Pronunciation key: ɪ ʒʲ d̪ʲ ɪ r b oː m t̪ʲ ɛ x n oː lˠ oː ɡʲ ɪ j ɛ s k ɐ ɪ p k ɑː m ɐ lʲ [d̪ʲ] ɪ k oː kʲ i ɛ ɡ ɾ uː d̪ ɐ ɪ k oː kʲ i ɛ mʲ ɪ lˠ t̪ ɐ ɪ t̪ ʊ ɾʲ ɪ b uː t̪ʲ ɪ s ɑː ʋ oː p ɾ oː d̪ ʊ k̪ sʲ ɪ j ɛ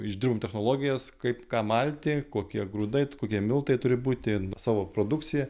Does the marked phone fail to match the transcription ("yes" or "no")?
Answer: yes